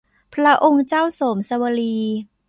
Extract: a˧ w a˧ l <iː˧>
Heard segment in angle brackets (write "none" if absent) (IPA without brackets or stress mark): iː˧